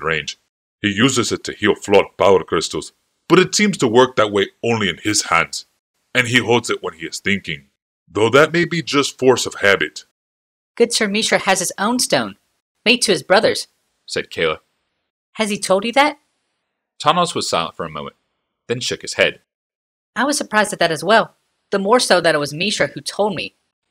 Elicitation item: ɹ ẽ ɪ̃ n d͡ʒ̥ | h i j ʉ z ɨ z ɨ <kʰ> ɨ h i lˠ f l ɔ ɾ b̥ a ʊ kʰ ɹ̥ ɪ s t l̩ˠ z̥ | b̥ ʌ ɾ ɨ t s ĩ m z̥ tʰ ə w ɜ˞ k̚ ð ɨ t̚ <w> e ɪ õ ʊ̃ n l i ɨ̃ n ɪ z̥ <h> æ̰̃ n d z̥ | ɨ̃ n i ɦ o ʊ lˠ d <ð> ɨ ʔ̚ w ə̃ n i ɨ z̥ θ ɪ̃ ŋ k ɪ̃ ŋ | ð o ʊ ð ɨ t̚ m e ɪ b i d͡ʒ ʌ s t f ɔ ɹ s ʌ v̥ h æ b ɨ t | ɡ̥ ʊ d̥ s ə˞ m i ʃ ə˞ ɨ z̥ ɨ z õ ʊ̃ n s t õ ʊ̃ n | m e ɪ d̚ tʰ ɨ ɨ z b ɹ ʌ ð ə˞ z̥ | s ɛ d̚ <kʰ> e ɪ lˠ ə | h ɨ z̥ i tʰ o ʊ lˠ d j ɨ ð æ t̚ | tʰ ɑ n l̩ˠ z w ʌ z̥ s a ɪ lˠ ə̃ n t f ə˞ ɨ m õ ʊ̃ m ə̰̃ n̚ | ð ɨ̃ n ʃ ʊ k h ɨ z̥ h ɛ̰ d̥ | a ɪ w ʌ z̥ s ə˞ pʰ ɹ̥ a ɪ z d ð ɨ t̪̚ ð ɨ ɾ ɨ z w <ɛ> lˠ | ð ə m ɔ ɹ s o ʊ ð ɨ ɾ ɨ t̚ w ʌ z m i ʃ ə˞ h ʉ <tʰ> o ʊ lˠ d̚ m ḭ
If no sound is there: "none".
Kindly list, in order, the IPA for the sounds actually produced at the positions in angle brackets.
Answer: tʰ, w, h, z, kʰ, ɛ, tʰ

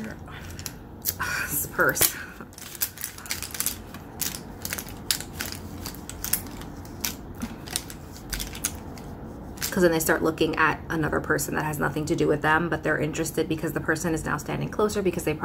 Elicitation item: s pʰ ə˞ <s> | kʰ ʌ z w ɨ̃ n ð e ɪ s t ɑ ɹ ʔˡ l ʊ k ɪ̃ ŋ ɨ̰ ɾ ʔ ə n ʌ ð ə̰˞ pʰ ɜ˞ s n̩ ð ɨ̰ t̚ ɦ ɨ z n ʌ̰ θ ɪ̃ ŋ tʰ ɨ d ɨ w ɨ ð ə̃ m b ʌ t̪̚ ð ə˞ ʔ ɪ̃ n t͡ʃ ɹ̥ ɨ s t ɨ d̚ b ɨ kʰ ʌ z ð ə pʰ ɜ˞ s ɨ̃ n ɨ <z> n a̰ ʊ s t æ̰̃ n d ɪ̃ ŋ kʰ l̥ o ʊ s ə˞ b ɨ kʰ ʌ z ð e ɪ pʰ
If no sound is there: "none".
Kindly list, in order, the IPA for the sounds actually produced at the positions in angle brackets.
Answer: s, z

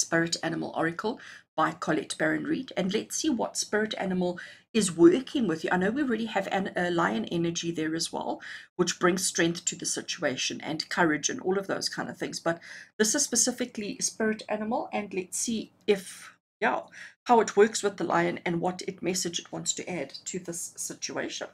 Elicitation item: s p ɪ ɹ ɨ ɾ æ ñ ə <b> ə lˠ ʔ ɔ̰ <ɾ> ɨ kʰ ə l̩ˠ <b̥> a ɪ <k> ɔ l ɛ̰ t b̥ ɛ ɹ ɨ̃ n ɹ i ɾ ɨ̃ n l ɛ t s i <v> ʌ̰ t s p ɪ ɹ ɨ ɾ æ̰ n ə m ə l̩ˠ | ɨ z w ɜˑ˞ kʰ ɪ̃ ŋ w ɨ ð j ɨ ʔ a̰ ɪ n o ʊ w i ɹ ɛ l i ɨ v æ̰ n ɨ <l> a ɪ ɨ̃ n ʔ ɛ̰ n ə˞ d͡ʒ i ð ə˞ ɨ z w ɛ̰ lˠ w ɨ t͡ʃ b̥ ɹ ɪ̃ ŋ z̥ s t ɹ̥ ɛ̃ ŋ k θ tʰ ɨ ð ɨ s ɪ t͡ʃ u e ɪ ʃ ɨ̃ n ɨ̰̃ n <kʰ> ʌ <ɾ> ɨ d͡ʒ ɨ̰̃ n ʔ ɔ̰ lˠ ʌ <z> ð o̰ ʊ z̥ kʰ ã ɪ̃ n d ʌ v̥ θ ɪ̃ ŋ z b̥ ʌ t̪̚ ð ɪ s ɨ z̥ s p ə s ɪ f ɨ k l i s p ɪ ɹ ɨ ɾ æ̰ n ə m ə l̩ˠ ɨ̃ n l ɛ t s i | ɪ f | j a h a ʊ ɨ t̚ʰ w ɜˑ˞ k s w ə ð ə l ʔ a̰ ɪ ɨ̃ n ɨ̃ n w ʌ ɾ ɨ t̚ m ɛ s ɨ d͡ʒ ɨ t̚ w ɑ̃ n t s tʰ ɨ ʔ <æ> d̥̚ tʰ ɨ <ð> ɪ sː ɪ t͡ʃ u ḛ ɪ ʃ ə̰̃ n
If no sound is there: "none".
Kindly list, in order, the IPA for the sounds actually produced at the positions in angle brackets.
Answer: m, ɹ, b̥, kʰ, w, l, kʰ, ɹ, v, æ, ð

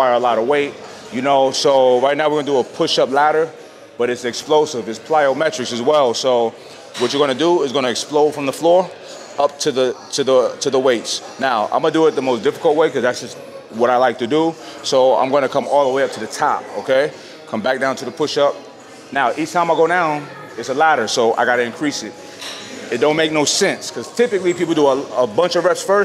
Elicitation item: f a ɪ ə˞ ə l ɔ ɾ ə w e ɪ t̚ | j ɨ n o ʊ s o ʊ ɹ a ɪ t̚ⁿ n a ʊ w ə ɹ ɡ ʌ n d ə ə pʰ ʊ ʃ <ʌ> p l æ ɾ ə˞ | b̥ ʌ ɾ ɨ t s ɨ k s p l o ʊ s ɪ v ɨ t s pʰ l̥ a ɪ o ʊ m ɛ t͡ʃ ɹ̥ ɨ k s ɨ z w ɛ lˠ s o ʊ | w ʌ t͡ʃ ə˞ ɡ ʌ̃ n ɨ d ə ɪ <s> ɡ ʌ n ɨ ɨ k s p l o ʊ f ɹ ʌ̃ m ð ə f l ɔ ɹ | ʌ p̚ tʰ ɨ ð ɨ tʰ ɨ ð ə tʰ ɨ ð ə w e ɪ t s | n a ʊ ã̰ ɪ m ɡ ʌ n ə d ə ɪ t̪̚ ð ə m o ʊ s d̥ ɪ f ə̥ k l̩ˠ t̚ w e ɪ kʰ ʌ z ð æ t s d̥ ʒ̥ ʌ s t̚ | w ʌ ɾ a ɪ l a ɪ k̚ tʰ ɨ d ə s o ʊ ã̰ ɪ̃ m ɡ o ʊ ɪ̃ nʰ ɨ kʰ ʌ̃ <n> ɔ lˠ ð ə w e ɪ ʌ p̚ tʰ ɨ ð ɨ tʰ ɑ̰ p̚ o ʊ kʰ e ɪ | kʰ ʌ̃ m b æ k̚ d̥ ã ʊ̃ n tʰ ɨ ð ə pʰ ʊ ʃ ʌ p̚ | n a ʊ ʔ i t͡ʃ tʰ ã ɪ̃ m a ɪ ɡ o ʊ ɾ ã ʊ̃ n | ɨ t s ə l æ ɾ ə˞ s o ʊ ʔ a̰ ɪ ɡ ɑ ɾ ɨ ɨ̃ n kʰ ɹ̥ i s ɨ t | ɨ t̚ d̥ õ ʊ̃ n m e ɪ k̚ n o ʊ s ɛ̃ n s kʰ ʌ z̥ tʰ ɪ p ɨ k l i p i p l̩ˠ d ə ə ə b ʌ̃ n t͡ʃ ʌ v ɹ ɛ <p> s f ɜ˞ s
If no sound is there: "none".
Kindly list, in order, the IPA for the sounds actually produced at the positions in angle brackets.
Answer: ʌ, z, m, p

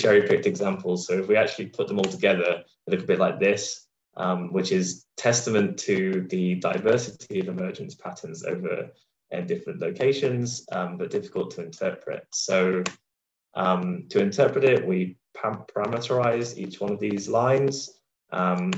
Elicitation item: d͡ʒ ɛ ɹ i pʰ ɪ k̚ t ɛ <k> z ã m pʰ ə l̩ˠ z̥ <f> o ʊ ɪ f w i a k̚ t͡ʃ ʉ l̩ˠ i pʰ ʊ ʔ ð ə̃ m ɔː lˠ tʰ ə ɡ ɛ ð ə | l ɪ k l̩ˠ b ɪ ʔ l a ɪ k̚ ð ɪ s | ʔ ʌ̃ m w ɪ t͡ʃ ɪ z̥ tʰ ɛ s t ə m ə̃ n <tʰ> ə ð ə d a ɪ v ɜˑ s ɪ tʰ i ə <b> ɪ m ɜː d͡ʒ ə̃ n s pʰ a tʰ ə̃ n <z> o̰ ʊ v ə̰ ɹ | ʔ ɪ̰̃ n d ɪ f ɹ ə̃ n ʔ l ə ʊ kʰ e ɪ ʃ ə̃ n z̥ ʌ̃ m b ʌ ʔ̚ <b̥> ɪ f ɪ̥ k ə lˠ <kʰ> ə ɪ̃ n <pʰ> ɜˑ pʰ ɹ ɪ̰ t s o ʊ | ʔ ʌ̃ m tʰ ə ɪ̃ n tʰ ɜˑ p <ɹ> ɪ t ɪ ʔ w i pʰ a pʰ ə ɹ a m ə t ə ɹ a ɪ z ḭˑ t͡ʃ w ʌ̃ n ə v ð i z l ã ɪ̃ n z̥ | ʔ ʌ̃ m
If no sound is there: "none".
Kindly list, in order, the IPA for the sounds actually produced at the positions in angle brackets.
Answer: ɡ, s, tʰ, v, z, d̥, tʰ, tʰ, ɹ

